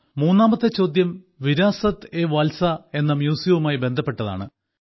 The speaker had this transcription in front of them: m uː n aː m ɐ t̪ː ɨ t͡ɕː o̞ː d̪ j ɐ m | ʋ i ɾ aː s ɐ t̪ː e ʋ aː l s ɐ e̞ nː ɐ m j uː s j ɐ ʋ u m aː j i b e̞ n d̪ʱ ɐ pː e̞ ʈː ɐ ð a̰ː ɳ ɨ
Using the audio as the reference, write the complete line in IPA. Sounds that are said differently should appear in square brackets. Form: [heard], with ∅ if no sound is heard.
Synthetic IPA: m uː [nː] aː m ɐ t̪ː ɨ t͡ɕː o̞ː d̪ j ɐ m | ʋ i ɾ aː s ɐ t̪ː e ʋ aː l s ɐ e̞ nː ɐ m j uː s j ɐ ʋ u m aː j i b e̞ n d̪ʱ ɐ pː e̞ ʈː ɐ ð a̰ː ɳ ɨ